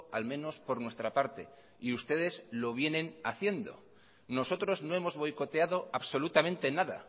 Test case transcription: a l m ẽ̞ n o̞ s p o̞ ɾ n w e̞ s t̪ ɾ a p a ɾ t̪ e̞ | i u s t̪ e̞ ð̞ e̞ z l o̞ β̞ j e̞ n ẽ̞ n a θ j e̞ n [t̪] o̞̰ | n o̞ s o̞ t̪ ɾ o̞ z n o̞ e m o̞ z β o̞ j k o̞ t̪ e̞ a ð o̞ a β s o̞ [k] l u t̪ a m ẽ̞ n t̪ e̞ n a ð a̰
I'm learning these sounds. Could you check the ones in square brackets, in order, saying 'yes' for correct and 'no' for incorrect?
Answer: no, no

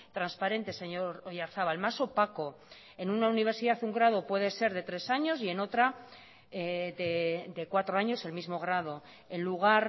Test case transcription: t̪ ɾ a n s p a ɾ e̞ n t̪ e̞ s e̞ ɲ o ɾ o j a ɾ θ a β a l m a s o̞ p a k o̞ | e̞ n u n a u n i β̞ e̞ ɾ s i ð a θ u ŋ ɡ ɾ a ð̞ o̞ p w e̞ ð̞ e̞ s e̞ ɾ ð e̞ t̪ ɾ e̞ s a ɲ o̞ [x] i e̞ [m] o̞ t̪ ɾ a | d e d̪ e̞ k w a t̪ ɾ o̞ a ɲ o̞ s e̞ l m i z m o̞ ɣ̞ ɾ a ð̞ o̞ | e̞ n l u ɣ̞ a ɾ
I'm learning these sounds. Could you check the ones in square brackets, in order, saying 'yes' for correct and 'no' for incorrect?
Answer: no, no

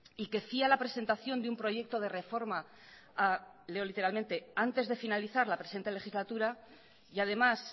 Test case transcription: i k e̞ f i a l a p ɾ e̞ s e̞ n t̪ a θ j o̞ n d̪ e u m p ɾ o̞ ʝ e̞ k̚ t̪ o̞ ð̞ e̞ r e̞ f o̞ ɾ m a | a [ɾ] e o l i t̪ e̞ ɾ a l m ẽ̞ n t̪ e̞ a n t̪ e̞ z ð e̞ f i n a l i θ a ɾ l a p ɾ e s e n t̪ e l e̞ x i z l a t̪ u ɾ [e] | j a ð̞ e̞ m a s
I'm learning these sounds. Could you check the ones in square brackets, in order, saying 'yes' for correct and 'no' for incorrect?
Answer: no, no

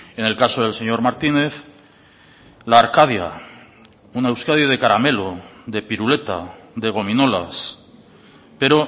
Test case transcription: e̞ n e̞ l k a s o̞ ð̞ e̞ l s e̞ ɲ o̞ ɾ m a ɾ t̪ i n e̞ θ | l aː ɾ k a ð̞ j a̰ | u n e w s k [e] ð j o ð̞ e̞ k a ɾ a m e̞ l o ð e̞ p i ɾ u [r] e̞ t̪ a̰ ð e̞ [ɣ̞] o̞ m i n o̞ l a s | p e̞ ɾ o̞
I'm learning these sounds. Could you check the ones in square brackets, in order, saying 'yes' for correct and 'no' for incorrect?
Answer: no, no, yes

